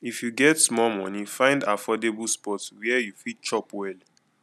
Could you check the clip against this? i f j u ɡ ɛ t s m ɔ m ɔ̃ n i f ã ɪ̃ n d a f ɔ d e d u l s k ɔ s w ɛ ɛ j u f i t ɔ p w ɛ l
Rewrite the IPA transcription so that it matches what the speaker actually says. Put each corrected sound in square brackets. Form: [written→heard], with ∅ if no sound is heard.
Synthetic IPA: i f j u ɡ ɛ t s m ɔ m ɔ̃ n i f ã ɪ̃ n d a f ɔ d e [d→b] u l s [k→p] ɔ [s→t] w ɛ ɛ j u f i [t→t͡ʃ] ɔ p w ɛ l